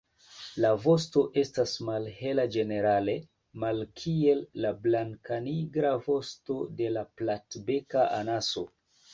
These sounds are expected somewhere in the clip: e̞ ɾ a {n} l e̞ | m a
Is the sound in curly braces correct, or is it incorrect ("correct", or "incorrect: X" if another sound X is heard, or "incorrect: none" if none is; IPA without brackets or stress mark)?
incorrect: none